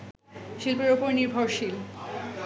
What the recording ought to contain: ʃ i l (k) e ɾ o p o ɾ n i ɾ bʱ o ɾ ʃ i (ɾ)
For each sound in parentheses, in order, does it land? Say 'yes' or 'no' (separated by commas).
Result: no, no